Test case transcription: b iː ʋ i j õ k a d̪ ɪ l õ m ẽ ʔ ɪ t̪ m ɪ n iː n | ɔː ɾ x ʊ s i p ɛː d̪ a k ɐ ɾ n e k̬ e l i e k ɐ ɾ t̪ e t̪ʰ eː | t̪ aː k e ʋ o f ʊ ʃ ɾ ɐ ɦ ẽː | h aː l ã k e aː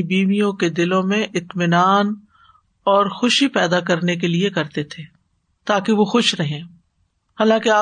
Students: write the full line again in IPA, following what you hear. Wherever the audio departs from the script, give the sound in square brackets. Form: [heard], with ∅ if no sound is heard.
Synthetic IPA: b iː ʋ i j õ k [e] d̪ ɪ l õ m ẽ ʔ ɪ t̪ m ɪ n [aː] n | ɔː ɾ x ʊ [ʃ] i p ɛː d̪ a k ɐ ɾ n e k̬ e l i e k ɐ ɾ t̪ e t̪ʰ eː | t̪ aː k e ʋ o [x] ʊ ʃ ɾ ɐ ɦ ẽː | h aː l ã k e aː